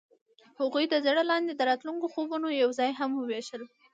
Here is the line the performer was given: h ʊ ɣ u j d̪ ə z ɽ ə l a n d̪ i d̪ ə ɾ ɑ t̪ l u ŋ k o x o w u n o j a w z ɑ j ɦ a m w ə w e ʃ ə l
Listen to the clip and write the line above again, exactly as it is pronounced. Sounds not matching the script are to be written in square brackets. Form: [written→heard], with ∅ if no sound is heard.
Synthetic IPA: h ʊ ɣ u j d̪ ə z ɽ ə l [a→ɑ] n d̪ [i→e] d̪ ə ɾ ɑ t̪ l u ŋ k o x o [w→b] u n o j a w z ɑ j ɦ a m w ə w e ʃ ə l